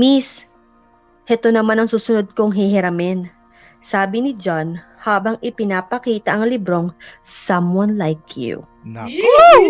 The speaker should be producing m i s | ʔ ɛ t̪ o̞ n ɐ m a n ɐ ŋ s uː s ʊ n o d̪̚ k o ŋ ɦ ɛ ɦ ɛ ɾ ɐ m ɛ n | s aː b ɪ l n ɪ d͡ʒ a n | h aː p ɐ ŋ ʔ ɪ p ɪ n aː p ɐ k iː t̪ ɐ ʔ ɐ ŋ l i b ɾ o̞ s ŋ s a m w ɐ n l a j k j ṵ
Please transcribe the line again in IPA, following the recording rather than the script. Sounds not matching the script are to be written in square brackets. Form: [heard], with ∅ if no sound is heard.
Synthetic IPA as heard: m i s | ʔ ɛ t̪ o̞ n ɐ m a n ɐ ŋ s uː s ʊ n o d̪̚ k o ŋ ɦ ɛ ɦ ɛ ɾ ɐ m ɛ n | s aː b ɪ [∅] n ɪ d͡ʒ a n | h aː [b] ɐ ŋ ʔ ɪ p ɪ n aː p ɐ k iː t̪ ɐ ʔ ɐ ŋ l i b ɾ o̞ [∅] ŋ s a m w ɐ n l a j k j ṵ